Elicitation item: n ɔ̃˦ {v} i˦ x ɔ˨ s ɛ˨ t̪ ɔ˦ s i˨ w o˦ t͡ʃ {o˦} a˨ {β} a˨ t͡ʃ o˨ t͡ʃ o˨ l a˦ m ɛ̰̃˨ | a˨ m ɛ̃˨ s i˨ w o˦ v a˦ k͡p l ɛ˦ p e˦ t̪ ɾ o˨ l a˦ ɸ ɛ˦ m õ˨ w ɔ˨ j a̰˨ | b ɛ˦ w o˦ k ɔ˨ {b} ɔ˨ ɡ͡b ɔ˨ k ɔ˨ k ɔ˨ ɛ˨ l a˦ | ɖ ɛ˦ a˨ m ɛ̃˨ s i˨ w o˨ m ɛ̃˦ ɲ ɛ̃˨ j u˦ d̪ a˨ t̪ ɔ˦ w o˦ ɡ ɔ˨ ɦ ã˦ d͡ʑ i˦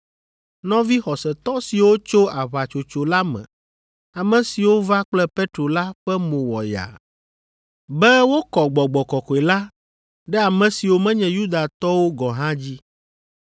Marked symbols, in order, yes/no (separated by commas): yes, yes, yes, no